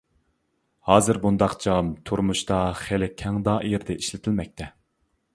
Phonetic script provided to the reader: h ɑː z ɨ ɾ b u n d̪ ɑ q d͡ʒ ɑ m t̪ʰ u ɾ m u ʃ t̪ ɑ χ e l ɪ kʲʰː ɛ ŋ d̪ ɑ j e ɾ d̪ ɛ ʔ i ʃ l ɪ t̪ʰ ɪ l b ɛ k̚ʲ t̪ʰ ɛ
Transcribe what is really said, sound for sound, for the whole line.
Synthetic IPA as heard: h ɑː z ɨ ɾ b u n d̪ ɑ q d͡ʒ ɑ m t̪ʰ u ɾ m u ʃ t̪ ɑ χ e l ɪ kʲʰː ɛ ŋ d̪ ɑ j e ɾ d̪ ɛ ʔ i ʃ l ɪ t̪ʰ ɪ l m ɛ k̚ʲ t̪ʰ ɛ